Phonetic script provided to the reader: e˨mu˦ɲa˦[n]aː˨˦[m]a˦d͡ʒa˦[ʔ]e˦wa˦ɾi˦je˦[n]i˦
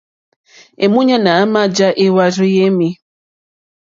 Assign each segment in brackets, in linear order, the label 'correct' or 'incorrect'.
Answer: correct, correct, correct, incorrect

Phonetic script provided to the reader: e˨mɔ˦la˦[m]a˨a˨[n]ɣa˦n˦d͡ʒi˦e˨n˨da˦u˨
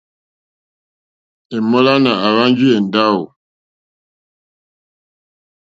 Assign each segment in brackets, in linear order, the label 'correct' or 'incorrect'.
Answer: incorrect, incorrect

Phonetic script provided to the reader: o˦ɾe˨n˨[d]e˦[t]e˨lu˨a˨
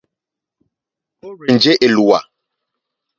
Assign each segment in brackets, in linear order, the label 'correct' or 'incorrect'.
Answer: incorrect, incorrect

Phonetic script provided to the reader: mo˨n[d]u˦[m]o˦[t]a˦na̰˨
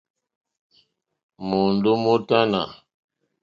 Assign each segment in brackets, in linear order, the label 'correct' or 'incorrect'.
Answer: correct, correct, correct

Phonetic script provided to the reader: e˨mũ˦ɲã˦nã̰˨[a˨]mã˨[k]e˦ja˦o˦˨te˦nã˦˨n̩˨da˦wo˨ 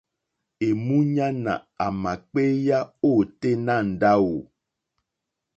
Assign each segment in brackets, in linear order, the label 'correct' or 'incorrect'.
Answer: correct, incorrect

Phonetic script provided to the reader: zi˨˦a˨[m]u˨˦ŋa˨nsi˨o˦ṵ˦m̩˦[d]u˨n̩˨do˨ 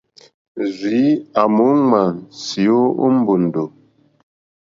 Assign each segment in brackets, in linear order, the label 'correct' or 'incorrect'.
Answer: correct, incorrect

